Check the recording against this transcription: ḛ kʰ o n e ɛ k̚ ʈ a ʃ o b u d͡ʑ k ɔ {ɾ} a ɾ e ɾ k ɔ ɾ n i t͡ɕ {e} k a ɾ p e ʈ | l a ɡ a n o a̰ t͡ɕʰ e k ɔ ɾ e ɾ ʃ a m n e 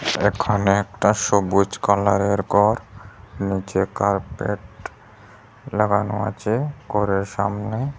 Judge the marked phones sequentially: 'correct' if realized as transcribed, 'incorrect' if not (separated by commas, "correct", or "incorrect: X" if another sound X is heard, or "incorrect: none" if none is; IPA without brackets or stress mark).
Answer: incorrect: l, correct